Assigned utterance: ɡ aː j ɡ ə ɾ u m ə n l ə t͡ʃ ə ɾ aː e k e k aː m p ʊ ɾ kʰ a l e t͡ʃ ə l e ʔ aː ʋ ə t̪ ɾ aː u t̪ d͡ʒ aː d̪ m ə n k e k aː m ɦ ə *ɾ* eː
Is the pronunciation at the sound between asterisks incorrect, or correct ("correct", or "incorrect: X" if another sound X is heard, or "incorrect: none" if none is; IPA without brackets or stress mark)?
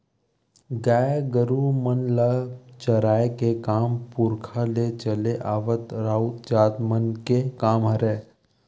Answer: correct